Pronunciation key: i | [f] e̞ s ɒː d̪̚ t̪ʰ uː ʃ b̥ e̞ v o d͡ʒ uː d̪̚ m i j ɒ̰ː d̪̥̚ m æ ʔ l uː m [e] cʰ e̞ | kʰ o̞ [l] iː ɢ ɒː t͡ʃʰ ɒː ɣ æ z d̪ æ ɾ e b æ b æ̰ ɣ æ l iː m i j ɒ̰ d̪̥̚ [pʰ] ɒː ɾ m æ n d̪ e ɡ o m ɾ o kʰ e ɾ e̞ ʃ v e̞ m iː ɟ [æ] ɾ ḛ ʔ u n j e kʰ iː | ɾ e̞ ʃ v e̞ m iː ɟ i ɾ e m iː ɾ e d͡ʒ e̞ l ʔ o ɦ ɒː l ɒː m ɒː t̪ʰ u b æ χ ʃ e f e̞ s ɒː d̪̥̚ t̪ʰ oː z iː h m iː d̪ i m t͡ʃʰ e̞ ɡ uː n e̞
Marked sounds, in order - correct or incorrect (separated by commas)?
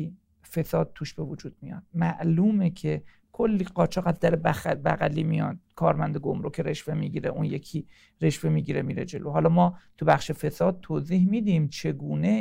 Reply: correct, correct, incorrect, incorrect, incorrect